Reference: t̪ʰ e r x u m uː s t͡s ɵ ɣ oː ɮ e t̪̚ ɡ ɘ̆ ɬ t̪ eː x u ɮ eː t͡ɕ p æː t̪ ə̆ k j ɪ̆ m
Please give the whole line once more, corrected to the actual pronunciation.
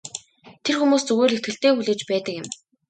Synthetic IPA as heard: t̪ʰ e r x u m uː s t͡s ɵ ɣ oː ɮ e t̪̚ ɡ ɘ̆ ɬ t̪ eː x u ɮ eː t͡ɕ p æː t̪ ə̆ k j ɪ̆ m